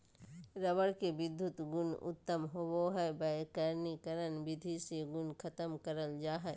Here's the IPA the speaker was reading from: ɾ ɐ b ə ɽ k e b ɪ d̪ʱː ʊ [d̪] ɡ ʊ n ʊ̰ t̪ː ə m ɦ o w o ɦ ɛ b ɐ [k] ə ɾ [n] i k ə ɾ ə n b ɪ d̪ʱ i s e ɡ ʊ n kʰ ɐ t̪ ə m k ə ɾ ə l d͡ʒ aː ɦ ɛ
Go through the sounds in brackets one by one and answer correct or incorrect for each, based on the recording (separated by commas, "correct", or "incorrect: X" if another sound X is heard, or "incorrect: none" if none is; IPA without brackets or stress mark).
incorrect: t̪, correct, correct